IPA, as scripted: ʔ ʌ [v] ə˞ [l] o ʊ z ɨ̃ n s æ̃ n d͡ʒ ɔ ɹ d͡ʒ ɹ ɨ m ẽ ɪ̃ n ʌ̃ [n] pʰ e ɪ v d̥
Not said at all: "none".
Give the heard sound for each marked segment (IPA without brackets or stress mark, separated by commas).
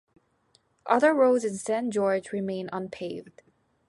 ð, ɹ, n